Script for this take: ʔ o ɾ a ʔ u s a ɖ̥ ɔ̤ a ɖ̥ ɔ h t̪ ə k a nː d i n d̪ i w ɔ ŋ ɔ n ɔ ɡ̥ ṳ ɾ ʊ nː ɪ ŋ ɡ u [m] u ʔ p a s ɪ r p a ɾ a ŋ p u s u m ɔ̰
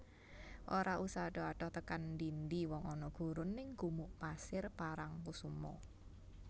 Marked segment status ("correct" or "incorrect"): correct